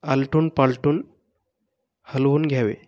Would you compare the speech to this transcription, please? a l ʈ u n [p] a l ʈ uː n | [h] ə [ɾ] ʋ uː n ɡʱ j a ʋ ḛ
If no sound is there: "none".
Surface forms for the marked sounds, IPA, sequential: p, h, l

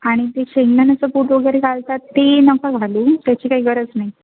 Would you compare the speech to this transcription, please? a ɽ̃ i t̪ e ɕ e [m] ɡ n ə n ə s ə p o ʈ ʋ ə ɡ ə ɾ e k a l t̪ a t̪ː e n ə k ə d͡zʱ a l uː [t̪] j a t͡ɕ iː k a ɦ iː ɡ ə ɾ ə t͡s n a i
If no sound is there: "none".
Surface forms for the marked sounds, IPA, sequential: ŋ, t̪

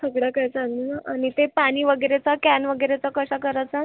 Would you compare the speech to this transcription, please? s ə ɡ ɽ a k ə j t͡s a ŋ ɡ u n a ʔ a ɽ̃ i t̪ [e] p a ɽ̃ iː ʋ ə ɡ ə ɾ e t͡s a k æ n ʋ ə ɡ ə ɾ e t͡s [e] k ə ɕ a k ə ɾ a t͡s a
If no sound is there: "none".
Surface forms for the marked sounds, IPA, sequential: e, a

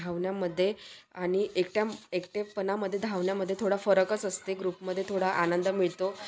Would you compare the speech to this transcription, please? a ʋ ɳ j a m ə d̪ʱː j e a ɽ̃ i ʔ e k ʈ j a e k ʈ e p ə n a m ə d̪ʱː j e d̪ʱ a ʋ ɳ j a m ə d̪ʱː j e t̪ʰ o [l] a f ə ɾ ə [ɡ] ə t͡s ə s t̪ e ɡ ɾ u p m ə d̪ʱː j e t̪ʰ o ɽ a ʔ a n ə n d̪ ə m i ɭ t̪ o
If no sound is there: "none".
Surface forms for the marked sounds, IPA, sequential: ɽ, k

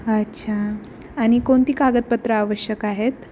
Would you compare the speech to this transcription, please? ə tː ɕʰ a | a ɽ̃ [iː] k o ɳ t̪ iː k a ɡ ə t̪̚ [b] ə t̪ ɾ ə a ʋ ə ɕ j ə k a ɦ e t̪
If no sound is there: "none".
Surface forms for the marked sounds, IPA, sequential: i, p

